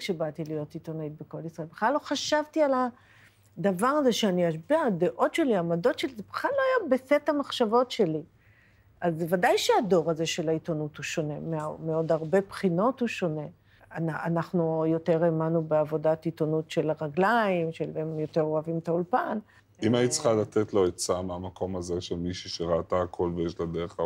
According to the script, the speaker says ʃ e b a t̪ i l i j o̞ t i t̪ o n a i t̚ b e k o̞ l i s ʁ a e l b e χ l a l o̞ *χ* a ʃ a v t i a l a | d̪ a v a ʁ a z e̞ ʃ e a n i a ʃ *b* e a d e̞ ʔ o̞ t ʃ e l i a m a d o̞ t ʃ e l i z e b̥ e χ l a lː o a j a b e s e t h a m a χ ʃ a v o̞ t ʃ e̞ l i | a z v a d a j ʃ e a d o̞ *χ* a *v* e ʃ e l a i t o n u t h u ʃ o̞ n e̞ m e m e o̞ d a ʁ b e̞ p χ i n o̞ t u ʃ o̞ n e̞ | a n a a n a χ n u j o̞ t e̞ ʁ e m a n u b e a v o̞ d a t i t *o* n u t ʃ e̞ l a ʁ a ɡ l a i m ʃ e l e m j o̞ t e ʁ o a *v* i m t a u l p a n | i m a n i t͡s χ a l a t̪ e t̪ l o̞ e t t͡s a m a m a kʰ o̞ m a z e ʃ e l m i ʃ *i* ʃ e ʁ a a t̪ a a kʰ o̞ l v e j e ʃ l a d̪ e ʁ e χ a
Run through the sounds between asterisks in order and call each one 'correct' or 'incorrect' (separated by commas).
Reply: correct, correct, incorrect, incorrect, correct, correct, correct